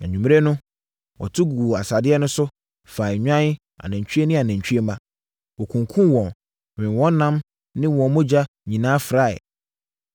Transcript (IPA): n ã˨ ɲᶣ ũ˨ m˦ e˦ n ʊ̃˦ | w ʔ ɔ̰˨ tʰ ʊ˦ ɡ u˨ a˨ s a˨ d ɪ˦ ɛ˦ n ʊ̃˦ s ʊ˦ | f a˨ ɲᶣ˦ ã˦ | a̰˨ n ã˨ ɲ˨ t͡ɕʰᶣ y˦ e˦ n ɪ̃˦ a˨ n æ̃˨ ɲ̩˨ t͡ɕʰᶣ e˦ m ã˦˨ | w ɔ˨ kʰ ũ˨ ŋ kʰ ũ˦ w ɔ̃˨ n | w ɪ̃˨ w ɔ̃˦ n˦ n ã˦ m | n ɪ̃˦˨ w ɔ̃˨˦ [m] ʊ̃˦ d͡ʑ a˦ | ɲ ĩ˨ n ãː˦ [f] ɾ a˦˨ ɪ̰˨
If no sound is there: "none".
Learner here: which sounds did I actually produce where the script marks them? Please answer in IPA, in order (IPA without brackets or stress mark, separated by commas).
m, f